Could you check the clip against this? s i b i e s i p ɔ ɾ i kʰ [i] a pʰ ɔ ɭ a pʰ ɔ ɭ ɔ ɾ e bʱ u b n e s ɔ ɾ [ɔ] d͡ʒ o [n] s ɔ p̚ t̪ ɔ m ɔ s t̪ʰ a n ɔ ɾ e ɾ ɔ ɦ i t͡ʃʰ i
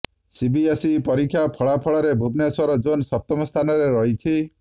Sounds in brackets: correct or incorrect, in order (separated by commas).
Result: incorrect, correct, correct